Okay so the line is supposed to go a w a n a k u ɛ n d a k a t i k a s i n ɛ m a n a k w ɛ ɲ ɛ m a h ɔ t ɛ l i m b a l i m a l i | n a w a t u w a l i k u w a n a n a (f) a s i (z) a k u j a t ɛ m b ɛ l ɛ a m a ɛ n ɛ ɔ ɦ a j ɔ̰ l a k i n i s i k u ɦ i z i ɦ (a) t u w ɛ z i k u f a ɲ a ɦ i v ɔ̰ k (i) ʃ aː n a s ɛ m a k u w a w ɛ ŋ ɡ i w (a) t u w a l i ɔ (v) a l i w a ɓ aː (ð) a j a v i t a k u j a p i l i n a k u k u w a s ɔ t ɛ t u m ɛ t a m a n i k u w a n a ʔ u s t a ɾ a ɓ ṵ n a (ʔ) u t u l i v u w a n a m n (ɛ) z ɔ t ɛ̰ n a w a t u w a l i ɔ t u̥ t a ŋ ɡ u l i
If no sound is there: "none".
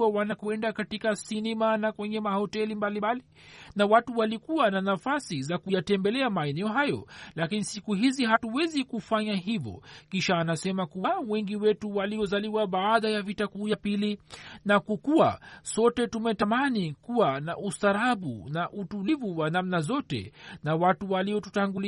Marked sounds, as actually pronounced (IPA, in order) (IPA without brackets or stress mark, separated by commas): f, z, a, i, ɛ, z, ð, ʔ, a